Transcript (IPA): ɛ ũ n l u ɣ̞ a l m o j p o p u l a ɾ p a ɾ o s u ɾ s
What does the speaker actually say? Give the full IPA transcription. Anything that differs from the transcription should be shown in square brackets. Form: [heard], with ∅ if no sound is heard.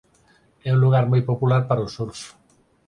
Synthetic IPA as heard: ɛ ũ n l u ɣ̞ a [ɾ] m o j p o p u l a ɾ p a ɾ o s u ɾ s

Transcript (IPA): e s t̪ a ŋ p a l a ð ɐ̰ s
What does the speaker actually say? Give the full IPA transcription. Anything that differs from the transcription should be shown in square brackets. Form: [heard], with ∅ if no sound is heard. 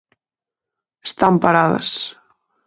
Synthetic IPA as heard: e s t̪ a [m] p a [ɾ] a ð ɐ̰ s

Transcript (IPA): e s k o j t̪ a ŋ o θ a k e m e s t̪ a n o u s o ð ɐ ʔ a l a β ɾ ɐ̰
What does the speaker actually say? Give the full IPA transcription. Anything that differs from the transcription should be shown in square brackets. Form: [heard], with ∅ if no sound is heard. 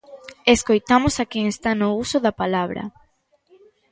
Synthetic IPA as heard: e s k o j t̪ a [m] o [s] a k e [ŋ] e s t̪ a n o u s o ð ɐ [p] a l a β ɾ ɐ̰

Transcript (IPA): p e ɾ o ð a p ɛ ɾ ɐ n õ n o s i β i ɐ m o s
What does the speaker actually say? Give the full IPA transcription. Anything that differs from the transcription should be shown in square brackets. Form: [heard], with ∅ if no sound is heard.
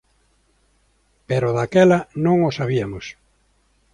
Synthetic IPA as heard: p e ɾ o ð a [k] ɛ [l] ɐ n õ [ŋ] o s [a] β i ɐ m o s

